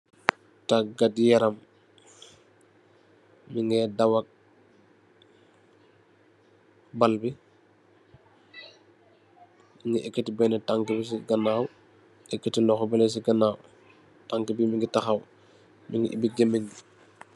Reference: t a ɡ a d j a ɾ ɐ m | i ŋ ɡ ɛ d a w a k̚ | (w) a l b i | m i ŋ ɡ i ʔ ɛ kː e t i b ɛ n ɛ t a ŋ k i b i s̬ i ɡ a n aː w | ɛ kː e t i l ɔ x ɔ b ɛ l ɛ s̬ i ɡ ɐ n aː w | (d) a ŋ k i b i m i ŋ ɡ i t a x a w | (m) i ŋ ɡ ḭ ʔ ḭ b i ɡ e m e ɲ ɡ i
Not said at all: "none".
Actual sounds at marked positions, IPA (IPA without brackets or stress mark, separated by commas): b, t, m